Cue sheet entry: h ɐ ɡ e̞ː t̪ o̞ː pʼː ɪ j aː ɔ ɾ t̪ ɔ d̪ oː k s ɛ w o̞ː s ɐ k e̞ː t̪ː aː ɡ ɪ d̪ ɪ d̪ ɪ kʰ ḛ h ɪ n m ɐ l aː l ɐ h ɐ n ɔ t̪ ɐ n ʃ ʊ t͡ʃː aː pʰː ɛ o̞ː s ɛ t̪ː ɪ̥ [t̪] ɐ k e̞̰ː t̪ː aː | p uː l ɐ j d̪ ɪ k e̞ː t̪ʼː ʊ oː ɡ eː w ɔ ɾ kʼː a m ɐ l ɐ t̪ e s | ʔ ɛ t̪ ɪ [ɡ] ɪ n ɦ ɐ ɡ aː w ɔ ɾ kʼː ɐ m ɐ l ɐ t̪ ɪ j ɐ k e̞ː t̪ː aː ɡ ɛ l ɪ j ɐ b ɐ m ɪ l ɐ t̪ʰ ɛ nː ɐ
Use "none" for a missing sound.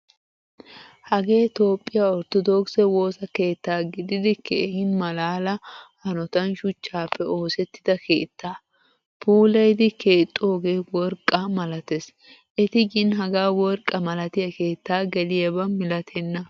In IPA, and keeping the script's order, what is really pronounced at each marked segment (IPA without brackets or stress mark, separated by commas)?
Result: d̪, ɡ